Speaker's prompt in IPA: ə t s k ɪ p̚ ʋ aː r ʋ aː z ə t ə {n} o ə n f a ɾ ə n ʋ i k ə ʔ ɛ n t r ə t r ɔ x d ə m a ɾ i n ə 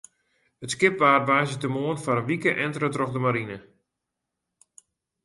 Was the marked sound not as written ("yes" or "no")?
yes